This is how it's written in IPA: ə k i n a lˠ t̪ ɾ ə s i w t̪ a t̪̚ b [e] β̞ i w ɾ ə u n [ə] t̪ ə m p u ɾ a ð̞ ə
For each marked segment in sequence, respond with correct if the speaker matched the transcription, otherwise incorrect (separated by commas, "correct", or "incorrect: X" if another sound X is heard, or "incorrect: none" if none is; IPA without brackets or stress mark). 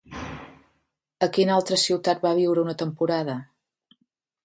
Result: incorrect: a, correct